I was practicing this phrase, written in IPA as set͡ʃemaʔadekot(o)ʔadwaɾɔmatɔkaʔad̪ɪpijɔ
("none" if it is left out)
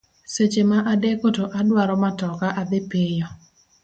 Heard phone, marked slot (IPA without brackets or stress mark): o